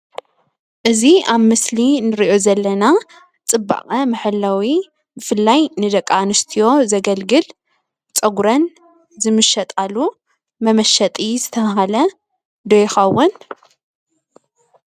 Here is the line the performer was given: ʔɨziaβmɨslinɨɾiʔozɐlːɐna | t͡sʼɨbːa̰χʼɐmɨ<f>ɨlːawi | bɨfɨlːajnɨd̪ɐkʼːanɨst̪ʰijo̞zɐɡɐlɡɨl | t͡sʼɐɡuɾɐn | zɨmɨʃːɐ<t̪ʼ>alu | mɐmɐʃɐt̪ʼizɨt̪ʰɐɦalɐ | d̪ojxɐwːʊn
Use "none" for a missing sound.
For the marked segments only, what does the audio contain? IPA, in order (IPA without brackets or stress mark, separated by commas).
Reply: ħ, t̪ʼ